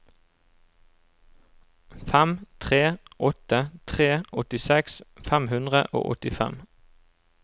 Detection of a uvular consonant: present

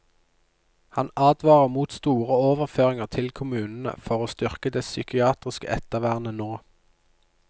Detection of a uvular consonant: present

